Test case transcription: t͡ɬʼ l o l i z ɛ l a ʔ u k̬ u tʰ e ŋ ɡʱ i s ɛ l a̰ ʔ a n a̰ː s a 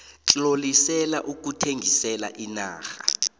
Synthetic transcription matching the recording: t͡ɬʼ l o l i s ɛ l a ʔ u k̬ u tʰ e ŋ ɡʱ i s ɛ l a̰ ʔ i n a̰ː x a